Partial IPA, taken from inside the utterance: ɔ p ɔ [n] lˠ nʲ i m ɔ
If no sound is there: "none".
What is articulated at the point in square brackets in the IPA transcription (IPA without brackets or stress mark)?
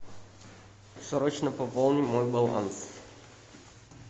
none